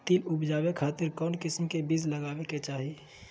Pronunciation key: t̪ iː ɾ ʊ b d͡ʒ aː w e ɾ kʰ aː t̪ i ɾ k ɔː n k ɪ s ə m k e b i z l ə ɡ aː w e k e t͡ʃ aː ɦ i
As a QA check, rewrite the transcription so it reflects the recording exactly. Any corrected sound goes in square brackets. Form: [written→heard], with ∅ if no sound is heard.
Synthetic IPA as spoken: t̪ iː [ɾ→l] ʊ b d͡ʒ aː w e [ɾ→∅] kʰ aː t̪ [i→ɪ] ɾ k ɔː n k ɪ s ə m k e b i z l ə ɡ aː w e k e t͡ʃ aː ɦ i

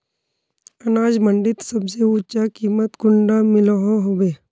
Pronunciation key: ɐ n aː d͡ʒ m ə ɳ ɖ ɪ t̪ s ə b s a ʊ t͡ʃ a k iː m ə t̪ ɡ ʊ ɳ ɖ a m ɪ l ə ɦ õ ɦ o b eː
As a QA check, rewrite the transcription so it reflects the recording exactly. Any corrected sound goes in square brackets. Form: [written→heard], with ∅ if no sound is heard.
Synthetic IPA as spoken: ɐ n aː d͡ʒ m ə ɳ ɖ ɪ t̪ s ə b s [a→e] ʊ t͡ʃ a k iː m ə t̪ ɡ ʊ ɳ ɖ a m ɪ l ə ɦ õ ɦ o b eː

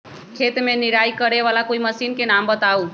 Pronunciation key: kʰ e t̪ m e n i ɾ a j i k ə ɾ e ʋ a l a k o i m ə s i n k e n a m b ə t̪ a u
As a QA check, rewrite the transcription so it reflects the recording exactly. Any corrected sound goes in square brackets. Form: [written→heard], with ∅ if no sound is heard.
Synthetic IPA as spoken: kʰ e t̪ m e n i ɾ a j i k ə ɾ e ʋ a l a k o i m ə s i n k e n a m b ə t̪ a u

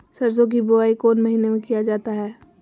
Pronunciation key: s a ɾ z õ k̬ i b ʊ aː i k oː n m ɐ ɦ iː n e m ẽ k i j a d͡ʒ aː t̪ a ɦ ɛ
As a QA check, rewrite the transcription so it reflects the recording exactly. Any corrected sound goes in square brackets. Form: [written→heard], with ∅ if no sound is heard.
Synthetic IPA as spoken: s [a→ɐ] ɾ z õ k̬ i b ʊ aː i k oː n m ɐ ɦ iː n e m ẽ k i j a d͡ʒ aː t̪ a ɦ [ɛ→ɛː]

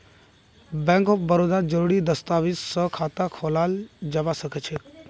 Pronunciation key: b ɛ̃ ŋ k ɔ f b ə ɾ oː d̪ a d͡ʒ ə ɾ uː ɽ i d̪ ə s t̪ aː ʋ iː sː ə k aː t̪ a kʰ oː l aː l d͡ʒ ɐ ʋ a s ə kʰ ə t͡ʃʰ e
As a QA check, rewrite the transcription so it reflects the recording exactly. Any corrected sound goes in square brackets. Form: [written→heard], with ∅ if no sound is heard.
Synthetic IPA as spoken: b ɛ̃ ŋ k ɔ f b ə ɾ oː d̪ a d͡ʒ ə ɾ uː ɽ i d̪ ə s t̪ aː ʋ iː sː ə [k→kʰ] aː t̪ a kʰ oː l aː l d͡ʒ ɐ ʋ a s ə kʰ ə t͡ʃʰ e

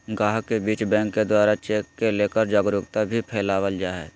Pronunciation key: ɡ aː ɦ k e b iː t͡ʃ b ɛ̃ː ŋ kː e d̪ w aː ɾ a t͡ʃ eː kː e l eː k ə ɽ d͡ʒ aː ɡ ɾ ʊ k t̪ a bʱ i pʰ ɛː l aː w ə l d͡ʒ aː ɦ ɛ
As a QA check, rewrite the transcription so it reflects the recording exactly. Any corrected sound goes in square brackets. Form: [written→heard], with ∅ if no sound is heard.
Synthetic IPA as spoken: ɡ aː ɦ k e b iː t͡ʃ b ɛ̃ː ŋ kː e d̪ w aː ɾ a t͡ʃ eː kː e l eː k ə [ɽ→ɾ] d͡ʒ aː ɡ ɾ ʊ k t̪ a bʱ i pʰ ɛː l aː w ə l d͡ʒ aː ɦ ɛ

